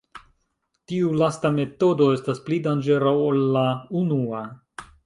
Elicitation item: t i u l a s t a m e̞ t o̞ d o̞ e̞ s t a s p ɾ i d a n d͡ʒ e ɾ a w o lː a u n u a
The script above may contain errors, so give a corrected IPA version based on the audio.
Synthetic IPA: t i u l a s t a m e̞ t o̞ d o̞ e̞ s t a s p l i d a n d͡ʒ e ɾ a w o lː a u n u a